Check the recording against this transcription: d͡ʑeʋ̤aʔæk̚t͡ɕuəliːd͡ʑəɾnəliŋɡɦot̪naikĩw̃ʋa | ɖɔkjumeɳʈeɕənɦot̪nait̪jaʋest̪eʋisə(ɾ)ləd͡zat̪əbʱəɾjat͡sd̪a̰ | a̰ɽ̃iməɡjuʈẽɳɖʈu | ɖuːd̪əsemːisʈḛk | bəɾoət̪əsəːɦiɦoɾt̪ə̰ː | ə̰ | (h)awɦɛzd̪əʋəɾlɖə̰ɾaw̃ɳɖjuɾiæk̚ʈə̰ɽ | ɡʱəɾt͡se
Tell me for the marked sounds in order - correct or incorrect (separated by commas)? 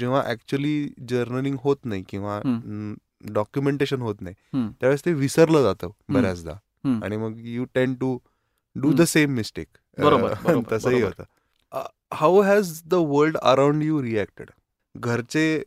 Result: correct, correct